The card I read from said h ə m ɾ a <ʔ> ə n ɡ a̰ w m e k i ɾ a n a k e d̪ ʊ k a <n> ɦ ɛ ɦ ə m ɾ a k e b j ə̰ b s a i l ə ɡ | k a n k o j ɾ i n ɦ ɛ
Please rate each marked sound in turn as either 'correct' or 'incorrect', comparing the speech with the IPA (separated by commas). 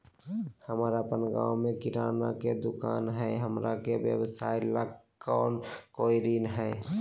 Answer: incorrect, correct